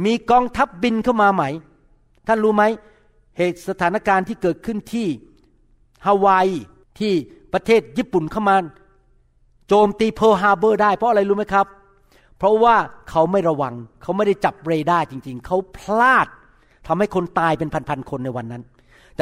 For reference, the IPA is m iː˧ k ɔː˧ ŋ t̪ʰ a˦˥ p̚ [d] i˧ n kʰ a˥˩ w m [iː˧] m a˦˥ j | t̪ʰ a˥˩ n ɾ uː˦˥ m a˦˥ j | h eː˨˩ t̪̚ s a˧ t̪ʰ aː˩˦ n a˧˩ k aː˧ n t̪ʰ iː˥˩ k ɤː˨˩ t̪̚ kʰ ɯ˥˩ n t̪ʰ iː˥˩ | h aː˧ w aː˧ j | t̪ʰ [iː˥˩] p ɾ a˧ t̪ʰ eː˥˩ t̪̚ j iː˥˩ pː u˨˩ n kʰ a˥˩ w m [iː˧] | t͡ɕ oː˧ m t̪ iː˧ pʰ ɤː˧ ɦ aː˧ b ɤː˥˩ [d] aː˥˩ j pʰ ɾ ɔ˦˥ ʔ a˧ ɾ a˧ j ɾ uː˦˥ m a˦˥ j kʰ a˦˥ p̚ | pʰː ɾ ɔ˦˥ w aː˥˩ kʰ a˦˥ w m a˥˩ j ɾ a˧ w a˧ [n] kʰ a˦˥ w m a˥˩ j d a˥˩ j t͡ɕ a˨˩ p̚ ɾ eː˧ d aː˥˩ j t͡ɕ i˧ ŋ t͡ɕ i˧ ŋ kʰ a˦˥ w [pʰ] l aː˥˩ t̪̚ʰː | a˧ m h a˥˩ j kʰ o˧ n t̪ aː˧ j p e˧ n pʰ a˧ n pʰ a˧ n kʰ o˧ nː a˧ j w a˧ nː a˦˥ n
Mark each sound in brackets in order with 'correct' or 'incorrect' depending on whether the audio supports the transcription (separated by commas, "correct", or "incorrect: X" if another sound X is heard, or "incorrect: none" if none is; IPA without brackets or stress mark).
incorrect: b, incorrect: aː˧, correct, incorrect: aː˧, correct, incorrect: ŋ, correct